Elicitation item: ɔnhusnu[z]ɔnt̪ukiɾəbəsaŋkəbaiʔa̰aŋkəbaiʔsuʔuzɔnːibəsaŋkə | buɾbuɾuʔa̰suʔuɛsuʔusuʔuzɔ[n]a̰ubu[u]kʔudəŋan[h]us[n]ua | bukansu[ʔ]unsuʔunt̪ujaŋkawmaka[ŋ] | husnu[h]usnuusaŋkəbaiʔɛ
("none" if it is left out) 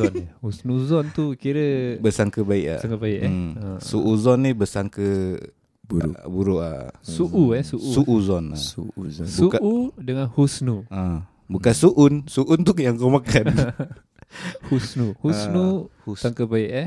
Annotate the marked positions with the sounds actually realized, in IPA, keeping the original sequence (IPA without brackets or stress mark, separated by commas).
z, n, u, h, n, ʔ, n, h